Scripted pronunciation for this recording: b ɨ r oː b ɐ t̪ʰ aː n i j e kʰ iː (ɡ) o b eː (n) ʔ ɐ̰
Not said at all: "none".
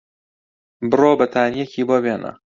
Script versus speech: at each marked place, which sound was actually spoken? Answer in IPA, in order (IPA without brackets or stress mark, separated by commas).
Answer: b, n